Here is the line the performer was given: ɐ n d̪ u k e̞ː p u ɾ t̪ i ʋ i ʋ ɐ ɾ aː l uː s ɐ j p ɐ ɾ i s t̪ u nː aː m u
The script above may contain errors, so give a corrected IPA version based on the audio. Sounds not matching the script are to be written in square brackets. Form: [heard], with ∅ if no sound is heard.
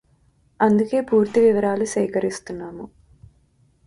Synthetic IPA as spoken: ɐ n d̪ u k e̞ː p [uː] ɾ t̪ i ʋ i ʋ ɐ ɾ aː l [u] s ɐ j [k] ɐ ɾ i s t̪ u nː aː m u